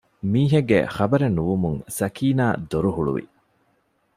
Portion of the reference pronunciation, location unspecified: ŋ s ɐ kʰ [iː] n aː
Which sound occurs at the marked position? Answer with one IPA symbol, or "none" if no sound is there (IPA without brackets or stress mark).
iː